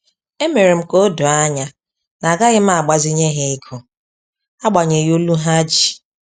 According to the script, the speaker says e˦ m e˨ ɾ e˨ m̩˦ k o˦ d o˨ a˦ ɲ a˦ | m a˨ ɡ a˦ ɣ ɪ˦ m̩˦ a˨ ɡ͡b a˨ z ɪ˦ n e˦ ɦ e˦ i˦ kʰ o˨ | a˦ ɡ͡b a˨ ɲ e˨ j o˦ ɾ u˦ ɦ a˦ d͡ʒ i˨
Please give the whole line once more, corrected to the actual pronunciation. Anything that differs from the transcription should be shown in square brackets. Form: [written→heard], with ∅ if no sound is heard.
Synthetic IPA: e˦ m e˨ ɾ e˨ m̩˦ k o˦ d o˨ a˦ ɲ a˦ | [m→n] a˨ ɡ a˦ ɣ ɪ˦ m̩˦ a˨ ɡ͡b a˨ z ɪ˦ [n→ɲ] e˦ ɦ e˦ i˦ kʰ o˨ | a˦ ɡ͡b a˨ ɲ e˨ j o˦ [ɾ→l] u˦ ɦ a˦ d͡ʒ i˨